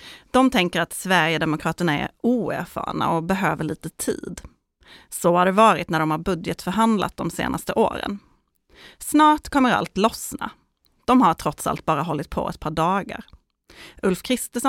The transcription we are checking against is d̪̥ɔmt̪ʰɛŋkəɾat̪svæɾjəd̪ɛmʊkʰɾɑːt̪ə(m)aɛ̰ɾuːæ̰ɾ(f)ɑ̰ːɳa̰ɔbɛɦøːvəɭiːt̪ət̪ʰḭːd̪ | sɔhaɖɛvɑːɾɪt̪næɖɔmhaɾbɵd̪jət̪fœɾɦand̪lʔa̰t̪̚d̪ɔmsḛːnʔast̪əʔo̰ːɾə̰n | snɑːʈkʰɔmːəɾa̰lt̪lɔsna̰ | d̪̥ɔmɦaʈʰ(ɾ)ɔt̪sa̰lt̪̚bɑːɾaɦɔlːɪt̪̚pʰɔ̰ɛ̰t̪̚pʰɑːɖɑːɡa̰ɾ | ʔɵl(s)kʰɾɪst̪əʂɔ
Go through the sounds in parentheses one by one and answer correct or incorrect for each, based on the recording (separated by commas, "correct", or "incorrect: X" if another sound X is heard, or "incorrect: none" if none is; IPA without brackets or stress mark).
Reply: incorrect: ɳ, correct, correct, incorrect: f